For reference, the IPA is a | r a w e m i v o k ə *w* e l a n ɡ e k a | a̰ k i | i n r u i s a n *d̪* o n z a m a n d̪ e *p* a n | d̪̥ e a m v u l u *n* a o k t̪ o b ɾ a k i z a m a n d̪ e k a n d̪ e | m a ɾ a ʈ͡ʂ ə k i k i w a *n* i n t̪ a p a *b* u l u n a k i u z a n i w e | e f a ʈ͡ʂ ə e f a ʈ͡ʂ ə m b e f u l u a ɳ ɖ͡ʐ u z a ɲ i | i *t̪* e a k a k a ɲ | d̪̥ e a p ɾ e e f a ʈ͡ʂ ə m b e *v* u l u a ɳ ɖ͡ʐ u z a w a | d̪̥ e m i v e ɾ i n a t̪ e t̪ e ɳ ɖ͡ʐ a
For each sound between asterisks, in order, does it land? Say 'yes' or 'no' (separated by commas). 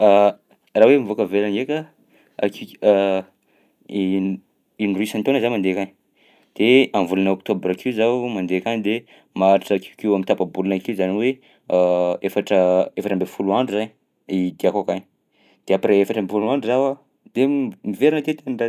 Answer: no, no, no, yes, no, yes, no, no